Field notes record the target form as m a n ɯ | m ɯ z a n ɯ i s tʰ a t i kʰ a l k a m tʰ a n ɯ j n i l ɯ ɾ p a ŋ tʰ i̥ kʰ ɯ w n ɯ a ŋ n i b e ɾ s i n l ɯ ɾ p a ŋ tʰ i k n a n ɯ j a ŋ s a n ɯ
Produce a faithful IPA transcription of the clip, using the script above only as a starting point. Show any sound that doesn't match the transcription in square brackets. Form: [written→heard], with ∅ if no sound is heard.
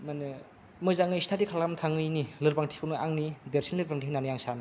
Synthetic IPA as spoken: m a n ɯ | m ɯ z a [n→ŋ] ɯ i s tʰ a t i kʰ a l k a m tʰ a [n→ŋ] ɯ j n i l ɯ ɾ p a ŋ tʰ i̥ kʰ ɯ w n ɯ a ŋ n i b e ɾ s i n l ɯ ɾ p a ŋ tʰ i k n a n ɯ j a ŋ s a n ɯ